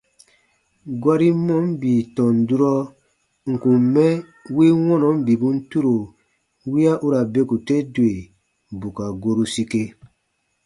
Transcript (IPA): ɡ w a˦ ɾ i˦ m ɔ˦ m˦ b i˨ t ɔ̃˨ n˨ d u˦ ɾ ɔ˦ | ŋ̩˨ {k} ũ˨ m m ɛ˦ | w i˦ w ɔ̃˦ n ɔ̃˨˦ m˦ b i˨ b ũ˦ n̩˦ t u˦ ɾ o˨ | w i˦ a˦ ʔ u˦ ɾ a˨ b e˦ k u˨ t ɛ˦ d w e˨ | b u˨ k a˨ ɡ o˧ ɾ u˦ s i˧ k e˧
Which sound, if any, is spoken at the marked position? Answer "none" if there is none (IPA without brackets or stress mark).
k